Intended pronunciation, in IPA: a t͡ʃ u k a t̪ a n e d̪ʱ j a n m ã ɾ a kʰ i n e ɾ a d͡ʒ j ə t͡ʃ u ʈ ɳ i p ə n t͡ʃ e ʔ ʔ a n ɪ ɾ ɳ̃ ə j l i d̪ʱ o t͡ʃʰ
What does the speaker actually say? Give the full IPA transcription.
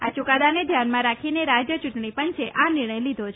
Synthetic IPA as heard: a t͡ʃ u k a d̪ a n e d̪ʱ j a n m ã ɾ a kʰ i n e ɾ a d͡ʒ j ə t͡ʃ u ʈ ɳ i p ə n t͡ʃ e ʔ ʔ a n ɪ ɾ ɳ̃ ə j l i d̪ʱ o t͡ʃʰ